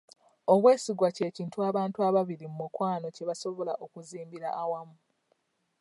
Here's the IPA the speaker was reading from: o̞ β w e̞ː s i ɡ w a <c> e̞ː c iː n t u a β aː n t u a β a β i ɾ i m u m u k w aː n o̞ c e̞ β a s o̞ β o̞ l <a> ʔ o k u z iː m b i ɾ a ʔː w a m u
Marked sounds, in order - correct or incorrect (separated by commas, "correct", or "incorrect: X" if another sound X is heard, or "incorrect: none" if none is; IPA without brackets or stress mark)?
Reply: correct, correct